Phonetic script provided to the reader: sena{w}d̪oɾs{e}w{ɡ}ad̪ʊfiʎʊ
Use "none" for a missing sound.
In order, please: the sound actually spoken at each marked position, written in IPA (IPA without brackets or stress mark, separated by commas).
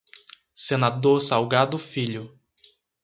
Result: none, a, ɡ